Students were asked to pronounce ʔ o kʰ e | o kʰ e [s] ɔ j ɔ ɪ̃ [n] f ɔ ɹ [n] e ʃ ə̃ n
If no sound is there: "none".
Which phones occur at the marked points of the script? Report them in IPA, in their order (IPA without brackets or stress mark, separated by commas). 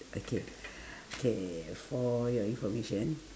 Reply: f, n, m